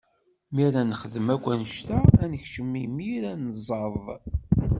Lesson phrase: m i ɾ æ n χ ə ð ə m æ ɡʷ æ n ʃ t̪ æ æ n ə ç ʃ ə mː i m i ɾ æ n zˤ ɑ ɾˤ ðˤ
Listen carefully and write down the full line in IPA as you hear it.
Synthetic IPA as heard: m i ɾ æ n χ ə ð ə m æ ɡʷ æ n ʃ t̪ æ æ n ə ç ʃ ə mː i m i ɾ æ n zˤ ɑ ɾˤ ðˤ